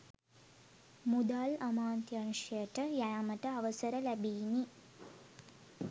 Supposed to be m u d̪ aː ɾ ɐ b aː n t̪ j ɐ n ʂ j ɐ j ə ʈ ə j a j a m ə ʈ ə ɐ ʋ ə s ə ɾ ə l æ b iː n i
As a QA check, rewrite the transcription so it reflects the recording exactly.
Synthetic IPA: m u d̪ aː l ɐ m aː n t̪ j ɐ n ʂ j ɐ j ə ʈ ə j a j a m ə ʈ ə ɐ ʋ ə s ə ɾ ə l æ b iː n i